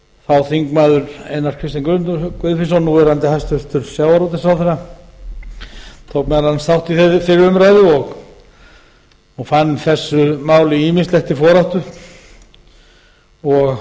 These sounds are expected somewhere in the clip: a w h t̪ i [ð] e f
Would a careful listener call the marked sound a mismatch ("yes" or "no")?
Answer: yes